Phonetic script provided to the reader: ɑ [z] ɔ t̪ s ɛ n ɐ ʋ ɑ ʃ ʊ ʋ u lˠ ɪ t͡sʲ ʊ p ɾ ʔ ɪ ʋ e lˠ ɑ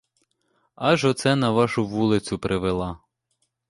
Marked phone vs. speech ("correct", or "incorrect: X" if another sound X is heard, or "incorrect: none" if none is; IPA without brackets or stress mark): incorrect: ʒ